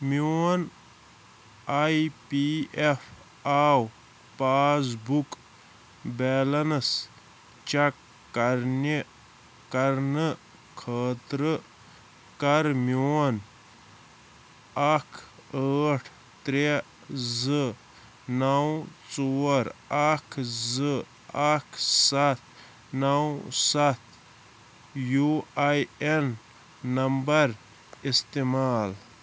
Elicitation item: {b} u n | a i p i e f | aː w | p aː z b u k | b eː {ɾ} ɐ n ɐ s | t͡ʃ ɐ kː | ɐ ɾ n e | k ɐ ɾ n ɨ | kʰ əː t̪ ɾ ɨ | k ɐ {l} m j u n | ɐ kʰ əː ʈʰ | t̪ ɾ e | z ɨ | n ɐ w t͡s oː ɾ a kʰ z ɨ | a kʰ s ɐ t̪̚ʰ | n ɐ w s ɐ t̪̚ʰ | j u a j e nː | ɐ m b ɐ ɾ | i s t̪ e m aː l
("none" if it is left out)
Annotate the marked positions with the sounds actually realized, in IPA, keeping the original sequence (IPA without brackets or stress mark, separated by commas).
m, l, ɾ